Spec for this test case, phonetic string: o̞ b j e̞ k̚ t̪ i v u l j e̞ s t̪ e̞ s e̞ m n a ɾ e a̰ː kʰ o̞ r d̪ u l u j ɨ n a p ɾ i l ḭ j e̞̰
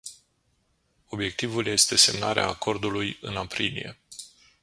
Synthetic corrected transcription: o̞ b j e̞ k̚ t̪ i v u l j e̞ s t̪ e̞ s e̞ m n a ɾ e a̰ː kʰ o̞ r d̪ u l u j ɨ n a p ɾ i l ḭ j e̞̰